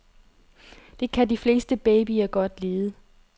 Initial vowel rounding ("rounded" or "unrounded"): unrounded